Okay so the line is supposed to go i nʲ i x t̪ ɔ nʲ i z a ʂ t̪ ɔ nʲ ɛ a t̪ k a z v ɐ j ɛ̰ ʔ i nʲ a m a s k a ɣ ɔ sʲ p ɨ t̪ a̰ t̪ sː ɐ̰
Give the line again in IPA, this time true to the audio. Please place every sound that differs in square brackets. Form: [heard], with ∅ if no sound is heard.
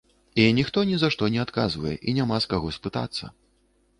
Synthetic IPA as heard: i nʲ i x t̪ ɔ nʲ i z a ʂ t̪ ɔ nʲ ɛ a t̪ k a z v ɐ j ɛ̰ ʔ i nʲ a m a s k a ɣ ɔ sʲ p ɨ t̪ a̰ t̪ sː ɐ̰